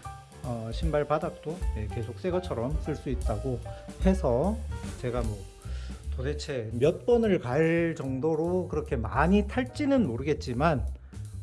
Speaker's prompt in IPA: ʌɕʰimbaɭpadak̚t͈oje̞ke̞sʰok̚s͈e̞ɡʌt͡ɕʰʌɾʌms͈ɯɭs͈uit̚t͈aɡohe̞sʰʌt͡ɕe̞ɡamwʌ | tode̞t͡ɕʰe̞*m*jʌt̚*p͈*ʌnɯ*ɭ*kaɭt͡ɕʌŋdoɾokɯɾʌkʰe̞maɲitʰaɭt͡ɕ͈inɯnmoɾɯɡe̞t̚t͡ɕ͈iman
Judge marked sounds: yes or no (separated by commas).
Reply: yes, yes, yes